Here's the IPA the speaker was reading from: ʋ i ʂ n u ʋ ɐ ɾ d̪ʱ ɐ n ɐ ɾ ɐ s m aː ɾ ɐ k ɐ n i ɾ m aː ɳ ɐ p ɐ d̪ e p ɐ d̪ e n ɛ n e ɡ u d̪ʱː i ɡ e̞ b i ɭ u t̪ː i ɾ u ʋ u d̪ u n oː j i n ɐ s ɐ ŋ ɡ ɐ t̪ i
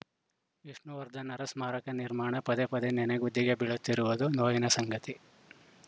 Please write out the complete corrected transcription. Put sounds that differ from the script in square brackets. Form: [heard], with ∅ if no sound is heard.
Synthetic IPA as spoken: ʋ i ʂ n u ʋ ɐ ɾ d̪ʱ ɐ n ɐ ɾ ɐ s m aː ɾ ɐ k ɐ n i ɾ m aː ɳ ɐ p ɐ d̪ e p ɐ d̪ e n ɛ n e ɡ u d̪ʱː i ɡ e̞ b i ɭ u t̪ː i ɾ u ʋ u d̪ u n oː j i n ɐ s ɐ ŋ ɡ ɐ t̪ i